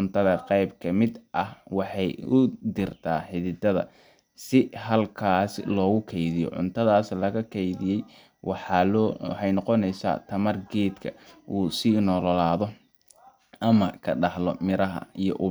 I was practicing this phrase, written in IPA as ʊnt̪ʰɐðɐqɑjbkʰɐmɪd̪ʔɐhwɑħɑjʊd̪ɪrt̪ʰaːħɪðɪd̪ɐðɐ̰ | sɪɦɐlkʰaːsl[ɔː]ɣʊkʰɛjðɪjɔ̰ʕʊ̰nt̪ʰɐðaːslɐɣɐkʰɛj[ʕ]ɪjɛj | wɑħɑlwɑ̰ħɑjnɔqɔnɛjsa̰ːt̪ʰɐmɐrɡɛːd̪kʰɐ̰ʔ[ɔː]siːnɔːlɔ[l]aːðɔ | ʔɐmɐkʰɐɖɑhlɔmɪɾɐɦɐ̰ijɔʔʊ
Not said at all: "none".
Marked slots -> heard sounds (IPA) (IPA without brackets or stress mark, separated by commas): ɔː, ð, uː, l